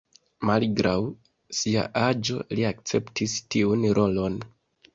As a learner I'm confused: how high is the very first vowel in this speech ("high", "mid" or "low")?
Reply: low